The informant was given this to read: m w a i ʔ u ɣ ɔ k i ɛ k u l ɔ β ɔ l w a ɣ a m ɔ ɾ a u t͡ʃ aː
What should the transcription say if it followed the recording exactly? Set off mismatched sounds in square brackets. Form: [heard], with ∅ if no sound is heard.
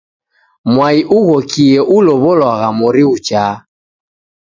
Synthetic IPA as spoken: m w a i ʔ u ɣ ɔ k i ɛ [ʔ] u l ɔ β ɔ l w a ɣ a m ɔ ɾ [i] u t͡ʃ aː